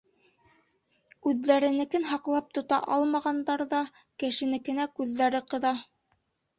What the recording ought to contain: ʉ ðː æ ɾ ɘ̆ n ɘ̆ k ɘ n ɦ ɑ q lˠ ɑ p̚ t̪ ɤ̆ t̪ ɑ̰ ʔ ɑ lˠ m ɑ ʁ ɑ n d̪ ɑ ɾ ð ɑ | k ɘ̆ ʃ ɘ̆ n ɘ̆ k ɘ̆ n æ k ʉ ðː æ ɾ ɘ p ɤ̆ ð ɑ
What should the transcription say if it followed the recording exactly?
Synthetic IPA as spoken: ʉ ðː æ ɾ ɘ̆ n ɘ̆ k ɘ n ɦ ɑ q lˠ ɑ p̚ t̪ ŏ t̪ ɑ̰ ʔ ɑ lˠ m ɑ ʁ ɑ n d̪ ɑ ɾ ð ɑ | k ɘ̆ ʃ ɘ̆ n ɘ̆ k ɘ̆ n æ k ʉ ðː æ ɾ ɘ q ɤ̆ ð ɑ